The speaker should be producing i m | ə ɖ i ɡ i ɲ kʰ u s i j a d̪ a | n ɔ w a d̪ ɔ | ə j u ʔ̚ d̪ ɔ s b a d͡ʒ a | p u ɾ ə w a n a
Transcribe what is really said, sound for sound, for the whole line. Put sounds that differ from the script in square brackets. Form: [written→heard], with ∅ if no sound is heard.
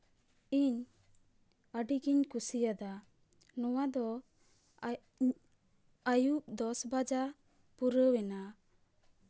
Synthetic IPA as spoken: i [m→ɲ] | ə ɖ i ɡ i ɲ [kʰ→k] u s i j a d̪ a | n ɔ w a d̪ ɔ | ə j u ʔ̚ d̪ ɔ s b a d͡ʒ a | p u ɾ ə w [a→ɛ] n a

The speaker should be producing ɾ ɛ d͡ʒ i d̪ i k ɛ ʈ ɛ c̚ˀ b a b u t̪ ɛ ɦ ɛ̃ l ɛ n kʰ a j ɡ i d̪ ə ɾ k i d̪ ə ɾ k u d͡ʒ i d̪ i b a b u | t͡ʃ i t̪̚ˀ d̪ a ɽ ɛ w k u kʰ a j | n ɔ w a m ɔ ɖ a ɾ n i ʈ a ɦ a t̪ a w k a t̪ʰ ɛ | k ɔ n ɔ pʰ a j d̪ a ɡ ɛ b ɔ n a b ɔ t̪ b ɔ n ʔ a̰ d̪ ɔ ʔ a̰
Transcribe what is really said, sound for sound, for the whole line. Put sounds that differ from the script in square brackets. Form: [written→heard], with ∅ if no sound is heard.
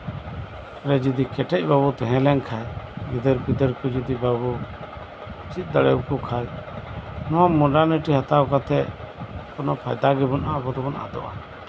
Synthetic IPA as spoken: ɾ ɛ d͡ʒ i d̪ i k ɛ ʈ ɛ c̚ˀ b a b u t̪ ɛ ɦ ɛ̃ l ɛ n kʰ a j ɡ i d̪ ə ɾ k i d̪ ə ɾ k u d͡ʒ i d̪ i b a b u | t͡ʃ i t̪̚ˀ d̪ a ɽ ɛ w k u kʰ a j | n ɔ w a m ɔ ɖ a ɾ n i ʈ [a→i] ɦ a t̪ a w k a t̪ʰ ɛ | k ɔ n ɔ pʰ a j d̪ a ɡ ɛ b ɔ n a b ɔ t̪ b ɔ n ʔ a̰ d̪ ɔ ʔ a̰

